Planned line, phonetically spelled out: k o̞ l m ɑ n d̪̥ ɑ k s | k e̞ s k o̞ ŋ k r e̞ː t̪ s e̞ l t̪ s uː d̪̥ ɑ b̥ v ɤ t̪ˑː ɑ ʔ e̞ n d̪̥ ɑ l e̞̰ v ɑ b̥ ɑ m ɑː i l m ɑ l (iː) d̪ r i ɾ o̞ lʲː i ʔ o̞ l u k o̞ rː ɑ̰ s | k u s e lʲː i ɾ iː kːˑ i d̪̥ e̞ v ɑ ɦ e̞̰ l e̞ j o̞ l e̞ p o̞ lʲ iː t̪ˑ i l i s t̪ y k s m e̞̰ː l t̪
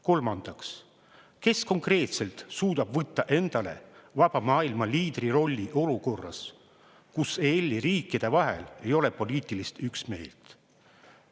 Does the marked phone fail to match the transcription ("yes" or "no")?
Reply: no